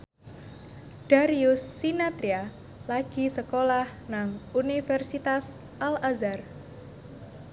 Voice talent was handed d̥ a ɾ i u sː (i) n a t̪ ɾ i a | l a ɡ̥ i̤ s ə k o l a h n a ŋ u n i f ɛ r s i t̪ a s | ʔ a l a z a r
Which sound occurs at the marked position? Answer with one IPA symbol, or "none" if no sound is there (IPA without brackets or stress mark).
i